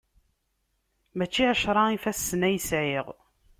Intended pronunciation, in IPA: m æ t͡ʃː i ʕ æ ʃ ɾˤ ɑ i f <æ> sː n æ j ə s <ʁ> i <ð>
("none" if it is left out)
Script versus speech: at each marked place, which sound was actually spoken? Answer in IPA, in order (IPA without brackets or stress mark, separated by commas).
æ, ʕ, ʁ